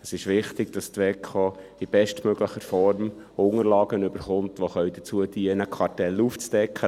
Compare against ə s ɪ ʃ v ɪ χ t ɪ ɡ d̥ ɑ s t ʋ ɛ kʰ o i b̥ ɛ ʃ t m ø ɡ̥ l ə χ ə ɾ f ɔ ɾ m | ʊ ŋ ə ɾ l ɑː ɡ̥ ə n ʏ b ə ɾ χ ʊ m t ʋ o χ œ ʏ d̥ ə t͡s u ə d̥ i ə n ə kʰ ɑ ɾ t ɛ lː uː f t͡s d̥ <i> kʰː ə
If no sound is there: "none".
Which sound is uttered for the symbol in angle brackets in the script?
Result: ɛ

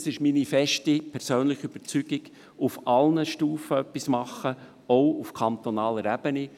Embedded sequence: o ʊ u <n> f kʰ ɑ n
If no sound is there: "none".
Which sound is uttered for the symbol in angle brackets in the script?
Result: none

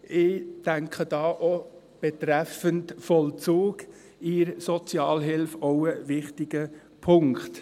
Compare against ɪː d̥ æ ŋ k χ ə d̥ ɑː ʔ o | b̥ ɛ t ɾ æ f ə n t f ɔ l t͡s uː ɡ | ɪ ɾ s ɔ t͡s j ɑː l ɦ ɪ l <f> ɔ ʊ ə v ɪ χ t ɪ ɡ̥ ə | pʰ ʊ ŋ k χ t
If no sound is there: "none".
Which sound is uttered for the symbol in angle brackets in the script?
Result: f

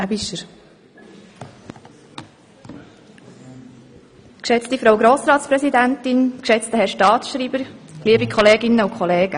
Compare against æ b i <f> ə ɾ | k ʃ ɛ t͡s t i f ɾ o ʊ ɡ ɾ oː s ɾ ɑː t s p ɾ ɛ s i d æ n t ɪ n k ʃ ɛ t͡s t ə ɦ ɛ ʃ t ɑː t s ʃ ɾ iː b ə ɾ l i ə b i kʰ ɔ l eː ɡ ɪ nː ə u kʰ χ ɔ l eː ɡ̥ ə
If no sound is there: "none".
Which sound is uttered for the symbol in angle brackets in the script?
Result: ʃ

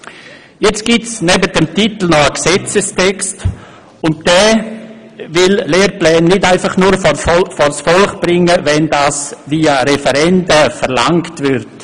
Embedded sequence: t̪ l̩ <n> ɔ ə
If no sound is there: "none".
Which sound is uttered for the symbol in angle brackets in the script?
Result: n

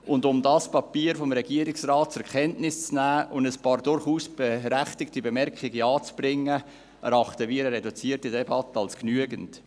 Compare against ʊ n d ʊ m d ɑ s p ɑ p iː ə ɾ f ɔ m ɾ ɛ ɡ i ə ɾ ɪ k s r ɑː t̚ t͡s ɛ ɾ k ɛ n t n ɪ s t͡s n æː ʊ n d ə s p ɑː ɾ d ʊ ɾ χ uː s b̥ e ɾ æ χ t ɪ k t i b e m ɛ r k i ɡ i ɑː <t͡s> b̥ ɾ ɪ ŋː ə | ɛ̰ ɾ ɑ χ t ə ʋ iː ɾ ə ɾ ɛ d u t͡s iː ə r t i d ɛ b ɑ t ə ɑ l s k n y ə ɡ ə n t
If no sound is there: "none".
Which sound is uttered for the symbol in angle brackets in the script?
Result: t͡s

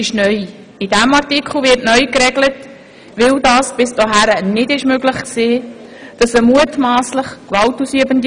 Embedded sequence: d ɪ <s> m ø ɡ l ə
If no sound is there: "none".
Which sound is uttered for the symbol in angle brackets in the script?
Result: ʃ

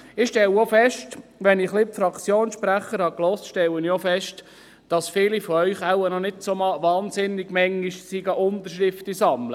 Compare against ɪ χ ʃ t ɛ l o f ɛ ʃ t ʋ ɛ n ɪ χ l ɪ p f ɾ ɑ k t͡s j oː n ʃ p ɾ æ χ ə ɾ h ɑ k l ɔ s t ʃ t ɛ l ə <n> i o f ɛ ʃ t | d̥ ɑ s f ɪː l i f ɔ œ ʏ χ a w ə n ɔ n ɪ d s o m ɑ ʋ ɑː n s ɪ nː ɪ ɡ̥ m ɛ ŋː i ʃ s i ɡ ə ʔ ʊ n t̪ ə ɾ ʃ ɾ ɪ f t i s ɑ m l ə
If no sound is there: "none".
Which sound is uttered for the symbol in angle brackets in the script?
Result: n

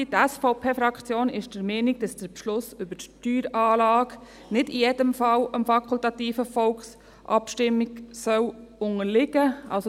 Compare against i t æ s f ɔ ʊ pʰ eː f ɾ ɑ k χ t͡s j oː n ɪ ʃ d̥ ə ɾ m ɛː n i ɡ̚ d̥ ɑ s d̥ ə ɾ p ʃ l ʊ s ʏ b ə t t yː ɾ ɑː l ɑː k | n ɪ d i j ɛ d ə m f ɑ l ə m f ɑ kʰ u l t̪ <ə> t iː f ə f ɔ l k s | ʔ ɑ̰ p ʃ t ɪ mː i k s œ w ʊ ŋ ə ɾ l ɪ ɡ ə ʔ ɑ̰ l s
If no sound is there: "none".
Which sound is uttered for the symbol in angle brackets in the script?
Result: ɑ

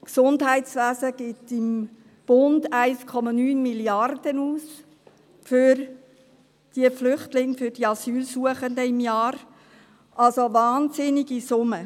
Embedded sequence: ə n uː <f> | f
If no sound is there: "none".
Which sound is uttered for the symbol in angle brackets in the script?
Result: s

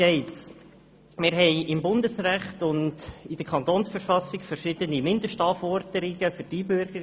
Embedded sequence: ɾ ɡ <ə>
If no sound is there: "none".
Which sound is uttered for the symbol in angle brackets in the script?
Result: ə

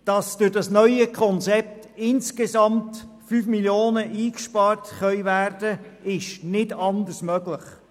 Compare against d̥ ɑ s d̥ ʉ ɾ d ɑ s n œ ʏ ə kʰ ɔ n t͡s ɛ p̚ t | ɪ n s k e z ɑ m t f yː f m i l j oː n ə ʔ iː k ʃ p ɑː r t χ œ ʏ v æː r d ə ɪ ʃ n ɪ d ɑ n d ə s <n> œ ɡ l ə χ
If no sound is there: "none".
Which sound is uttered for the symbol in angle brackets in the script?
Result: m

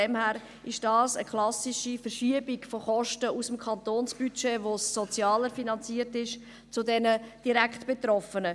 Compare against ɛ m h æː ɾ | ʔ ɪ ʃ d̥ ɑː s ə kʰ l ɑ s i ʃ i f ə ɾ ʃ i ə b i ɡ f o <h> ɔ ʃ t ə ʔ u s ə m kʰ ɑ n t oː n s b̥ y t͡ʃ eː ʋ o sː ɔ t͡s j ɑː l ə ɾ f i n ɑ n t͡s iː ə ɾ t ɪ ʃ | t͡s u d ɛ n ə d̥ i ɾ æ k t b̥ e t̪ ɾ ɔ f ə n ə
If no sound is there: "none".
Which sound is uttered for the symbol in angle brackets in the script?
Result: χ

